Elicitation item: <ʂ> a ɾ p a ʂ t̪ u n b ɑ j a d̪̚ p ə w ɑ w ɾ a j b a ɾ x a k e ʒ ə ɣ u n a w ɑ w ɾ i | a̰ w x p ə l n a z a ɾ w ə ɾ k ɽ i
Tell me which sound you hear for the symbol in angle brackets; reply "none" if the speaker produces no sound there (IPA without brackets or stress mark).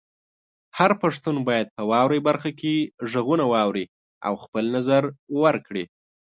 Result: h